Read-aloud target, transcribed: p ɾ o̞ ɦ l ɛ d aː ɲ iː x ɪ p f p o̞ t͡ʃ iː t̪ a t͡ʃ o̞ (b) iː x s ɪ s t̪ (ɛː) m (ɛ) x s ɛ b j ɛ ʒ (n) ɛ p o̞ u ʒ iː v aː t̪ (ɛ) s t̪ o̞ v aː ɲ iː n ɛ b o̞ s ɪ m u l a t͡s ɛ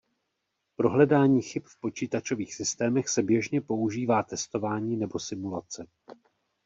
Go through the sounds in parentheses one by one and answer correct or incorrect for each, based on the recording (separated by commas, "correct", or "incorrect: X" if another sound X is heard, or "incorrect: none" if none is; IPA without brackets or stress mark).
incorrect: v, correct, correct, incorrect: ɲ, correct